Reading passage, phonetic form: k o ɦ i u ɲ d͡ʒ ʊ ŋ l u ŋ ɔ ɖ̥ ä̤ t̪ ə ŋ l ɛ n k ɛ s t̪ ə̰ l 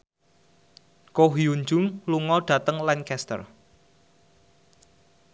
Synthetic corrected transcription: k o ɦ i u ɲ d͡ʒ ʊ ŋ l u ŋ ɔ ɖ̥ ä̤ t̪ ə ŋ l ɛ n k ɛ s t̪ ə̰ r

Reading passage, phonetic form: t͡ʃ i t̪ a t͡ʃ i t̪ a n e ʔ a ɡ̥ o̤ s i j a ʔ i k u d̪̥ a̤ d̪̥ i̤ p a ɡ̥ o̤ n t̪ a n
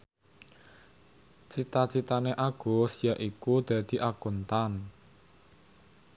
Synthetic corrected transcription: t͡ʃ i t̪ a t͡ʃ i t̪ a n e ʔ a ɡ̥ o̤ s i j a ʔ i k u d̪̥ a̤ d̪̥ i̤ ʔ a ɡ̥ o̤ n t̪ a n

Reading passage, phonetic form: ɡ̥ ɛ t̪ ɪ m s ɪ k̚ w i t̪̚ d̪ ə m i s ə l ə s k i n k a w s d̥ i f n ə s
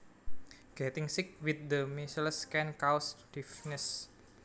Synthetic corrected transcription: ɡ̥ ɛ t̪ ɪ ŋ s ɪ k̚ w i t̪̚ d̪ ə m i s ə l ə s k ɛ n k a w s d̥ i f n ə s

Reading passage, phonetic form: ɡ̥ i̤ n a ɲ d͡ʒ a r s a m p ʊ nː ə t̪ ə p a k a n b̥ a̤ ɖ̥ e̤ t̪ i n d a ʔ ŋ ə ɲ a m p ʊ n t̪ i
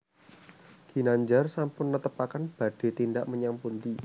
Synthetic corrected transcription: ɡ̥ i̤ n a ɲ d͡ʒ a r s a m p ʊ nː ə t̪ ə p a k a n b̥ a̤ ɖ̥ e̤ t̪ i n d a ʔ m ə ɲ a m p u n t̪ i

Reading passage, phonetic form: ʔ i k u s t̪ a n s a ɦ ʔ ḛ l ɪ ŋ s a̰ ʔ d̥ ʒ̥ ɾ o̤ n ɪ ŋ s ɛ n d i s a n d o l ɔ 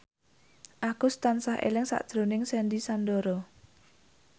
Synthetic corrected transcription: ʔ a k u s t̪ a n s a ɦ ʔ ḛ l ɪ ŋ s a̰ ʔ d̥ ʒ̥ ɾ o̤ n ɪ ŋ s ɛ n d i s a n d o ɾ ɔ

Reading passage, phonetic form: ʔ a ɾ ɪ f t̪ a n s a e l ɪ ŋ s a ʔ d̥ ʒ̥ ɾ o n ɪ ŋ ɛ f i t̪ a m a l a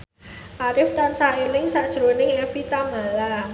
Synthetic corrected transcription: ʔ a ɾ ɪ f t̪ a n s a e l ɪ ŋ s a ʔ d̥ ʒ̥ ɾ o n ɪ ŋ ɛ f i t̪ a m a l a

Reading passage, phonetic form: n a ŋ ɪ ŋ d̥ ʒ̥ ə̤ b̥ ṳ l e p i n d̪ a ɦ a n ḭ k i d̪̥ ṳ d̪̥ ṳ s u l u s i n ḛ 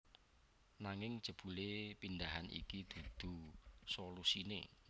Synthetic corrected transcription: n a ŋ ɪ ŋ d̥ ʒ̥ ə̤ b̥ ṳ l e p i n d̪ a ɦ a n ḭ k i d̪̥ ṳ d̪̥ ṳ s o l u s i n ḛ

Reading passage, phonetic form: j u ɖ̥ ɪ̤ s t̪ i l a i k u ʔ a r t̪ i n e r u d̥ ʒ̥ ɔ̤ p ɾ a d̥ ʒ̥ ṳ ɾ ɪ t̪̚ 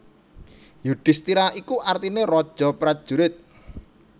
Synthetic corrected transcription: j u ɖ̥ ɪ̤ s t̪ i ɾ a i k u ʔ a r t̪ i n e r ɔ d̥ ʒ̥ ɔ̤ p ɾ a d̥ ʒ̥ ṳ ɾ ɪ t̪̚

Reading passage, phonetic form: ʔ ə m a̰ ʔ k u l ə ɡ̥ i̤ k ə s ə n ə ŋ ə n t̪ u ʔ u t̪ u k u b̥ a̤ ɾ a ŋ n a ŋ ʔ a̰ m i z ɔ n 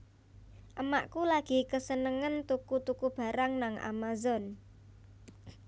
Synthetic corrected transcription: ʔ ə m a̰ ʔ k u l a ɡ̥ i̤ k ə s ə n ə ŋ ə n t̪ u k u t̪ u k u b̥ a̤ ɾ a ŋ n a ŋ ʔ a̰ m a z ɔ n

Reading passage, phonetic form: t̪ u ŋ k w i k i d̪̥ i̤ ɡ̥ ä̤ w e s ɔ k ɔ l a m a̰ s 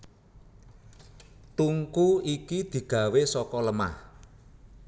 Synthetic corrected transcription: t̪ u ŋ k u i k i d̪̥ i̤ ɡ̥ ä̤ w e s ɔ k ɔ l ə m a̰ h

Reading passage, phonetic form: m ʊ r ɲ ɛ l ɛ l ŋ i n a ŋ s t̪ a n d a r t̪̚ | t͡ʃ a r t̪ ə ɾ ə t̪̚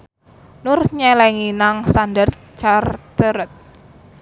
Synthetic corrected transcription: n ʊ r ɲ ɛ l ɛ ŋ i n a ŋ s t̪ a n d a r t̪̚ | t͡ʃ a r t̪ ə ɾ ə t̪̚

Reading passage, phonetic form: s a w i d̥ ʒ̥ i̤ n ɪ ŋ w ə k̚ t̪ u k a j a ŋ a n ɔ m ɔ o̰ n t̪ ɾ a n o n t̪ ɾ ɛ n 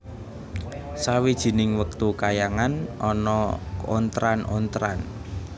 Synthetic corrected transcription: s a w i d̥ ʒ̥ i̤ n ɪ ŋ w ə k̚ t̪ u k a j a ŋ a n ɔ n ɔ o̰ n t̪ ɾ a n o n t̪ ɾ a n

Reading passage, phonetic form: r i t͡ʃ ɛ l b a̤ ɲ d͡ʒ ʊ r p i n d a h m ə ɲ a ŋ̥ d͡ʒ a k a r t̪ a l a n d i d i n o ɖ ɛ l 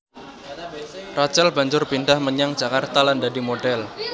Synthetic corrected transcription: r a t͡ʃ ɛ l b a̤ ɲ d͡ʒ ʊ r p i n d a h m ə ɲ a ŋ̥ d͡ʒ a k a r t̪ a l a n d a d i m o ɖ ɛ l

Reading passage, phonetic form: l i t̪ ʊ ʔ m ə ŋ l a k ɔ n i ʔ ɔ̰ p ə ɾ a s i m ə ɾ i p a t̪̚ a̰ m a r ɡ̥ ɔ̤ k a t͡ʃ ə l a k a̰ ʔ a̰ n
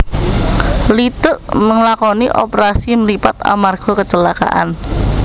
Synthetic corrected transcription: l i t̪ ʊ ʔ m ə ŋ l a k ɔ n i ʔ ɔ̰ p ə ɾ a s i m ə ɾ i p a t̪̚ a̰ m a r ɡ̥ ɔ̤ k ə t͡ʃ ə l a k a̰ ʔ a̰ n

